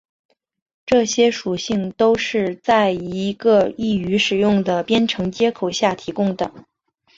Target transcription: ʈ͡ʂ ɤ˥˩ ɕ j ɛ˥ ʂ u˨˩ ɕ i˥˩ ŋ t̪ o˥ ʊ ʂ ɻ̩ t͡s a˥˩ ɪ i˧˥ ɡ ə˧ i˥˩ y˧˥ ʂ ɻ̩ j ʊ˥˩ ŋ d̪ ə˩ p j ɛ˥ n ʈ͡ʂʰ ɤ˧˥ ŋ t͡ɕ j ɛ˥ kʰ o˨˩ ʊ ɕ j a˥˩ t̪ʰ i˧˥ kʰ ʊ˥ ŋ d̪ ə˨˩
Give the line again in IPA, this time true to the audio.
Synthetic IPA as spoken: ʈ͡ʂ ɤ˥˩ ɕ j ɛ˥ ʂ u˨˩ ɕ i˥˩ ŋ t̪ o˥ ʊ ʂ ɻ̩ t͡s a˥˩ ɪ i˧˥ ɡ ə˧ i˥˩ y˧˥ ʂ ɻ̩ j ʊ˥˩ ŋ d̪ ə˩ p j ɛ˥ n ʈ͡ʂʰ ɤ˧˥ ŋ t͡ɕ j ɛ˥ kʰ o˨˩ ʊ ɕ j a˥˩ t̪ʰ i˧˥ k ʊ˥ ŋ d̪ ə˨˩

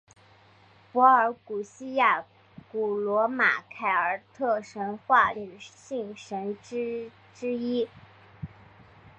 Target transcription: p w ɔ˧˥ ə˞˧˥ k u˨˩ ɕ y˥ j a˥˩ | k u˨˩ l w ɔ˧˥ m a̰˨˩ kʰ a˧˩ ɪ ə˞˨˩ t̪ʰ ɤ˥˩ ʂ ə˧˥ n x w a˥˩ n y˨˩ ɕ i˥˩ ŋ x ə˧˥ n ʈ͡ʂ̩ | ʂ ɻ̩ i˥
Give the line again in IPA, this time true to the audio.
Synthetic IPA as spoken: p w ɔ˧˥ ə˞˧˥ k u˨˩ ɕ i˥ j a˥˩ | k u˨˩ l w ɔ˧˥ m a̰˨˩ kʰ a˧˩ ɪ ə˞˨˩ t̪ʰ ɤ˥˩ ʂ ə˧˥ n x w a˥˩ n y˨˩ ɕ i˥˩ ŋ ʂ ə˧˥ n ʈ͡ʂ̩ | ʈ͡ʂ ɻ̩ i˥

